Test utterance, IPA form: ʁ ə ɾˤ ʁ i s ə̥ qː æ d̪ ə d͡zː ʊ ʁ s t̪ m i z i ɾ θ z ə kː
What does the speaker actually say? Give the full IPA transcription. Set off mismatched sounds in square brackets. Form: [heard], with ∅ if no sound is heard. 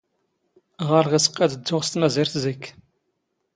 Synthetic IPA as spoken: ʁ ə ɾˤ ʁ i s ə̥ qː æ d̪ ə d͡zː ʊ ʁ s t̪ m [æ] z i ɾ θ z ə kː